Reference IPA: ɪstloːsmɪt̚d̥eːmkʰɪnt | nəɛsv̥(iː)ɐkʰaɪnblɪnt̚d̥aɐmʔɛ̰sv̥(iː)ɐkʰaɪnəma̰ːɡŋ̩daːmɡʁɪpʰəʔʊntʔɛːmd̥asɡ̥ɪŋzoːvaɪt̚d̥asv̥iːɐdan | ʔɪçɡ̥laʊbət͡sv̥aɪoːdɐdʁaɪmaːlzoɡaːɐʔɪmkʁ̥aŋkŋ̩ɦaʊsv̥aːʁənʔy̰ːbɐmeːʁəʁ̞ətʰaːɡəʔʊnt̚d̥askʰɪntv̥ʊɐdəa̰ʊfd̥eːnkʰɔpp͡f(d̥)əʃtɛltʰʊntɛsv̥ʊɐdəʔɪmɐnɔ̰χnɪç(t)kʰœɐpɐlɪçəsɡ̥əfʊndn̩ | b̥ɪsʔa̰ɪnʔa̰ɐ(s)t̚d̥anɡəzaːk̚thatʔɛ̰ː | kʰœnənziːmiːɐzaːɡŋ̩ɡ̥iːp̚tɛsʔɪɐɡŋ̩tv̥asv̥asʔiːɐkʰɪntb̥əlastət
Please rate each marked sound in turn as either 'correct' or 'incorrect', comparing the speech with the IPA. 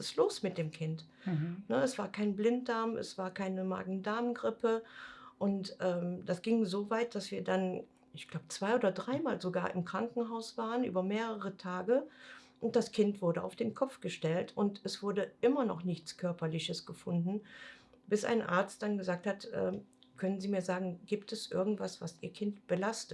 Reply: incorrect: aː, incorrect: aː, incorrect: ɡ̥, incorrect: t͡s, incorrect: t͡s

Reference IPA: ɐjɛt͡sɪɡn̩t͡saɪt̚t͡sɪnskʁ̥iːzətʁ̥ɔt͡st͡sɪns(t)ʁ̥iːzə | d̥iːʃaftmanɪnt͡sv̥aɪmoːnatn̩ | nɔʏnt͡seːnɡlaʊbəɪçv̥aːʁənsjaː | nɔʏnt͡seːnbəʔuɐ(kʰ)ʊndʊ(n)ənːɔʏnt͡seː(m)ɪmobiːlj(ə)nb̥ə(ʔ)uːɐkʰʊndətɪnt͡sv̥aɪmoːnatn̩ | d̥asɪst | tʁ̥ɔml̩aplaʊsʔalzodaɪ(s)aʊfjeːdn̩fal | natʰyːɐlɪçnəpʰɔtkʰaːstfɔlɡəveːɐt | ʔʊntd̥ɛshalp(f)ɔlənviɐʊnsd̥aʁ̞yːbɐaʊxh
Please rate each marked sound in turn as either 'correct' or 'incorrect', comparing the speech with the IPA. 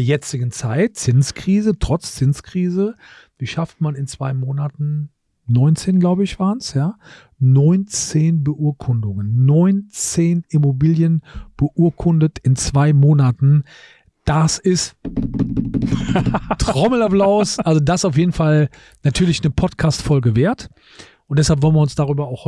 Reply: incorrect: k, correct, incorrect: ŋ, incorrect: n, correct, correct, correct, incorrect: v

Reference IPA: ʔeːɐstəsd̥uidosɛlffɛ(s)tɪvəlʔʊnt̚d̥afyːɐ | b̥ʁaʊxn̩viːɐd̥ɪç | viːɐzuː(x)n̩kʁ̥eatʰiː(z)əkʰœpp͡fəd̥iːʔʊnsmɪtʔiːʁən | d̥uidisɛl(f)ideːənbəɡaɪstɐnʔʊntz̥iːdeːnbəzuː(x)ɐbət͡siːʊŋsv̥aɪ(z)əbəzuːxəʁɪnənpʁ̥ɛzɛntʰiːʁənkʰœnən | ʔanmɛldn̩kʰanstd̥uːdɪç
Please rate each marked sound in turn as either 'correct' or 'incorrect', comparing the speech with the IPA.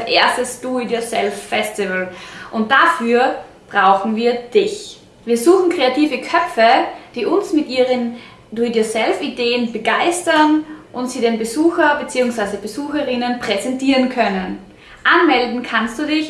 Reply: correct, correct, incorrect: v, correct, correct, correct

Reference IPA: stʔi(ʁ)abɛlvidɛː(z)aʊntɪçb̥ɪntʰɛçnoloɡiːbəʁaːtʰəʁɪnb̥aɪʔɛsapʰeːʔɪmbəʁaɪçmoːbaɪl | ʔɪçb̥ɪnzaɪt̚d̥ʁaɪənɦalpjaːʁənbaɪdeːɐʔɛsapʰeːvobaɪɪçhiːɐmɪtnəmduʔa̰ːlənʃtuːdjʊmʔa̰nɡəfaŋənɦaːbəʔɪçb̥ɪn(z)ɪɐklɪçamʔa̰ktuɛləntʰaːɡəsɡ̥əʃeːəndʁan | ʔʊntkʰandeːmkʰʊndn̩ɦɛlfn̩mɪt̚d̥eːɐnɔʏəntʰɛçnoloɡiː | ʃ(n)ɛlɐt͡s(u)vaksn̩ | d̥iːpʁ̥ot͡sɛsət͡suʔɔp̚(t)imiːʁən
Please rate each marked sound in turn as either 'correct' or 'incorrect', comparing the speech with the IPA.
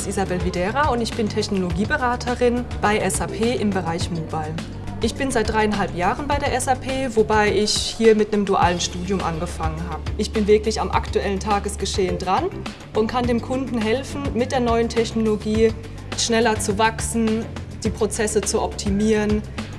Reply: incorrect: z, incorrect: ʁ, incorrect: v, correct, correct, incorrect: tʰ

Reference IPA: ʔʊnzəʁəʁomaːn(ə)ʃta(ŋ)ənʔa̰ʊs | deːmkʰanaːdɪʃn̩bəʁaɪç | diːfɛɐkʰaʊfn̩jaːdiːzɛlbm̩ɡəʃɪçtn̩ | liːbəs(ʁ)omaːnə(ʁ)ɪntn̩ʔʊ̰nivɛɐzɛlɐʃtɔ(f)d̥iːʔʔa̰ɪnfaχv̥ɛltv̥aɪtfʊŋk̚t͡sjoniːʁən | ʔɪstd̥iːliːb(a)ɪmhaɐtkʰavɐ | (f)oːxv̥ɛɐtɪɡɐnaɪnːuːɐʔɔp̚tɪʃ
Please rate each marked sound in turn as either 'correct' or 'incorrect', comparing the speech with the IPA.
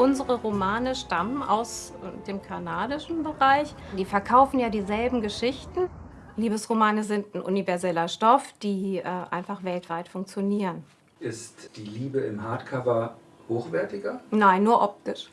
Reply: correct, incorrect: m, correct, incorrect: z, correct, incorrect: ə, incorrect: h

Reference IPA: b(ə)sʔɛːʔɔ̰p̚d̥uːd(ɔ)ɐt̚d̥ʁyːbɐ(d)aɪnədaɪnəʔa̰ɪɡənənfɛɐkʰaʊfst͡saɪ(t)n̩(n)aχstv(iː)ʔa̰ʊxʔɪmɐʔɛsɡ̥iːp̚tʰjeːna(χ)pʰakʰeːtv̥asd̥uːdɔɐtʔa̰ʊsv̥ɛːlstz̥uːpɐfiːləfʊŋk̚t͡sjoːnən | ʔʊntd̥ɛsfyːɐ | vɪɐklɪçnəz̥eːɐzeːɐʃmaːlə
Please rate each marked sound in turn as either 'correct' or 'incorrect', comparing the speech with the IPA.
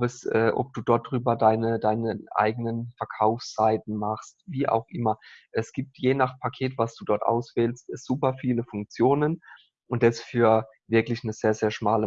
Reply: correct, correct, correct, correct, incorrect: m, correct, correct

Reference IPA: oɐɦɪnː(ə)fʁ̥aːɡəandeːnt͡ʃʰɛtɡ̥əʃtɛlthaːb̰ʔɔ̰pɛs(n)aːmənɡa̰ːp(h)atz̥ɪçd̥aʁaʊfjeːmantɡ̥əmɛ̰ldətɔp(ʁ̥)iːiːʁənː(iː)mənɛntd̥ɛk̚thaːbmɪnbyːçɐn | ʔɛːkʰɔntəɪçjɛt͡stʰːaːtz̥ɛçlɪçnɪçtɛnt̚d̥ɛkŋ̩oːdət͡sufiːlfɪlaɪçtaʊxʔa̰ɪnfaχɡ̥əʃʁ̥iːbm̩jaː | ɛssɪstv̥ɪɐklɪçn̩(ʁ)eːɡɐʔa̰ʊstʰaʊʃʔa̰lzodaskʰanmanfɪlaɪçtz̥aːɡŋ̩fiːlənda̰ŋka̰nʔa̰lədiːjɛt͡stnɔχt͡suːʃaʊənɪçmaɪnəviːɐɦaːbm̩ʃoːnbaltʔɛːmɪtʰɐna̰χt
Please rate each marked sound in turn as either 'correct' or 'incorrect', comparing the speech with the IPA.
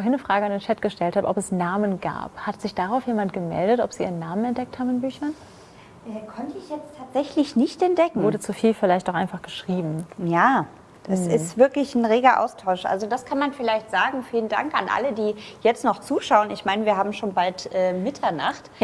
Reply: correct, correct, correct, incorrect: z̥, incorrect: aː, correct

